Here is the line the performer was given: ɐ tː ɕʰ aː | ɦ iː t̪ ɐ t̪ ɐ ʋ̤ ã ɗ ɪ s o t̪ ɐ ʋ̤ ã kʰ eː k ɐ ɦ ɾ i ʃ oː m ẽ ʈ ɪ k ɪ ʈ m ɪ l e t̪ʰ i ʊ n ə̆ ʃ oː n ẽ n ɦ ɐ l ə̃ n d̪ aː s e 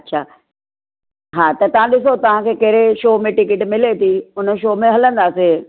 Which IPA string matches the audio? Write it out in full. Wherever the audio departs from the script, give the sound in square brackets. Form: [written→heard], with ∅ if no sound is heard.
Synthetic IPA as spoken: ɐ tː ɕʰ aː | ɦ [iː→aː] t̪ ɐ t̪ ɐ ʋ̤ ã ɗ ɪ s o t̪ ɐ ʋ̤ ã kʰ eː k ɐ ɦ ɾ [i→e] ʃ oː m ẽ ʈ ɪ k ɪ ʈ m ɪ l e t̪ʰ i ʊ n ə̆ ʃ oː [n→m] ẽ [n→∅] ɦ ɐ l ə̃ n d̪ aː s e